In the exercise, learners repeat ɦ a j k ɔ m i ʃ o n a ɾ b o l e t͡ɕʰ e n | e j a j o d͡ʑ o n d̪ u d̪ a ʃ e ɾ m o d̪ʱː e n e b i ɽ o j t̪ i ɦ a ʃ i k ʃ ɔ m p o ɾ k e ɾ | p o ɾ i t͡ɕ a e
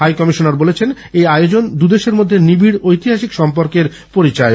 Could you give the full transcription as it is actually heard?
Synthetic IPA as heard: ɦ a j k ɔ m i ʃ o n a ɾ b o l e t͡ɕʰ e n | e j a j o d͡ʑ o n d̪ u d̪ e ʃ e ɾ m o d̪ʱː e n i b i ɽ o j t̪ i ɦ a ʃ i k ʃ ɔ m p o ɾ k e ɾ | p o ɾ i t͡ɕ a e